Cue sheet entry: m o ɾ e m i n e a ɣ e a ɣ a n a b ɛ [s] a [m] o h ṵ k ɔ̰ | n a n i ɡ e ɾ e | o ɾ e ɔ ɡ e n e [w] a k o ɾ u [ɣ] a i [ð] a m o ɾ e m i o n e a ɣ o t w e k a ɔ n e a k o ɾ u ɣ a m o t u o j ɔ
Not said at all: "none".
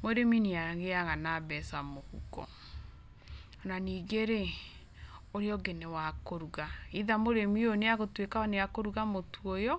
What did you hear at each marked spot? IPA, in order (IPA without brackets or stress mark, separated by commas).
s, m, w, ɣ, ð